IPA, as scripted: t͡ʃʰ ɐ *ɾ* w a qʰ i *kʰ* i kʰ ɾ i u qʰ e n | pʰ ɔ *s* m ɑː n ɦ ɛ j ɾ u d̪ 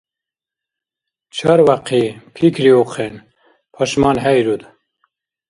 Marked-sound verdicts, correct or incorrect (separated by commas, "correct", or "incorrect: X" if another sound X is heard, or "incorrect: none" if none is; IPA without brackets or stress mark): correct, incorrect: pʰ, incorrect: ʃ